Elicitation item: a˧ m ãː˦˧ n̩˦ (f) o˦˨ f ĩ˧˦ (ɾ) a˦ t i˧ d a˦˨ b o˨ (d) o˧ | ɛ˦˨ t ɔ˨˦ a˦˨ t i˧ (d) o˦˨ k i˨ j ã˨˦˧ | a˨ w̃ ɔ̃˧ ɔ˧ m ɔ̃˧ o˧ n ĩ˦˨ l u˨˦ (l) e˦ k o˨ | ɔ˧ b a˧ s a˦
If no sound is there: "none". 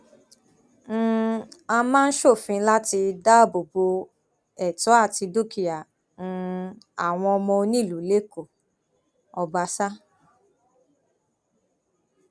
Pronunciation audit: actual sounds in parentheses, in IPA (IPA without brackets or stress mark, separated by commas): ʃ, l, b, d, l